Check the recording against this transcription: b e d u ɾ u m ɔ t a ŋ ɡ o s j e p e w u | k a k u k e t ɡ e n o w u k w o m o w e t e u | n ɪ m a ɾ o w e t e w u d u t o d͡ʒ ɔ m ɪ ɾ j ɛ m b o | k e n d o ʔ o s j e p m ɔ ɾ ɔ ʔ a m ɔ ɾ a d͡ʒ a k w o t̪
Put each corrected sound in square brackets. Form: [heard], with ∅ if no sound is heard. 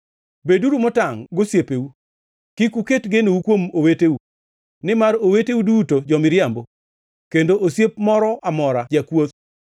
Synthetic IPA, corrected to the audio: b e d u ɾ u m ɔ t a ŋ ɡ o s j e p e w u | k [i] k u k e t ɡ e n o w u k w o m o w e t e u | n ɪ m a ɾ o w e t e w u d u t o d͡ʒ ɔ m ɪ ɾ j [a] m b o | k e n d o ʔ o s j e p m ɔ ɾ ɔ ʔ a m ɔ ɾ a d͡ʒ a k w o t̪